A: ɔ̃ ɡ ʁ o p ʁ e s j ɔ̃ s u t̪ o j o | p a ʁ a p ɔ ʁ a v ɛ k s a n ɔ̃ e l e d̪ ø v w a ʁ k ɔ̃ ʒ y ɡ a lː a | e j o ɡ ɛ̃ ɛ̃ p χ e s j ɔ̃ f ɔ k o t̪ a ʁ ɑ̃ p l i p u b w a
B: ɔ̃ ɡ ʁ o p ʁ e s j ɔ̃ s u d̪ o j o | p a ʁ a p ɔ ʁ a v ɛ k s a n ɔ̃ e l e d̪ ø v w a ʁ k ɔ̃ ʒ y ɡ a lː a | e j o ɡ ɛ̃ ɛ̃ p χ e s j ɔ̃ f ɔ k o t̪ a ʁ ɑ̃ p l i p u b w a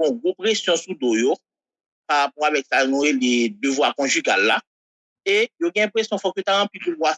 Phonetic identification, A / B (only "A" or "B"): B